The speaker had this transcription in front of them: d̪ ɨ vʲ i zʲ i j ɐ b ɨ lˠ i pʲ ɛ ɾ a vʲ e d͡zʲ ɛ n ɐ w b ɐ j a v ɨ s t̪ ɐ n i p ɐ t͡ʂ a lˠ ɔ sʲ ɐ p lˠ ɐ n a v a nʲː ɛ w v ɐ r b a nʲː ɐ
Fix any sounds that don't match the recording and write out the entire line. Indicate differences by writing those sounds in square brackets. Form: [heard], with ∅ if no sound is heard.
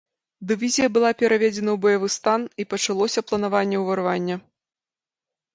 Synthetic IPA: d̪ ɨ vʲ i zʲ i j ɐ b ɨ lˠ [a] pʲ ɛ ɾ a vʲ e d͡zʲ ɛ n ɐ w b ɐ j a v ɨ s t̪ [a] n i p ɐ t͡ʂ a lˠ ɔ sʲ ɐ p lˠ ɐ n a v a nʲː ɛ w v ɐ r [v] a nʲː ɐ